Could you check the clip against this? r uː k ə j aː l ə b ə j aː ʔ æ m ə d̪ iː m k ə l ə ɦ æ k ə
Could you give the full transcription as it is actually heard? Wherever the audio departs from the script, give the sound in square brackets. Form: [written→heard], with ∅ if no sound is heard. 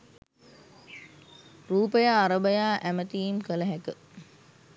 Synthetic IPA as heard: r uː [k→p] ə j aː [l→ɾ] ə b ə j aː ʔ æ m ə [d̪→t̪] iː m k ə l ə ɦ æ k ə